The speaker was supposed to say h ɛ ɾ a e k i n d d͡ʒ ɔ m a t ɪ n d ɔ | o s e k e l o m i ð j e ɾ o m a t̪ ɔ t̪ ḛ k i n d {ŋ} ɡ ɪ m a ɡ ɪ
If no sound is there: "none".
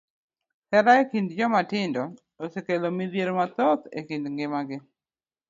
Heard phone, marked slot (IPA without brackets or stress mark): ŋ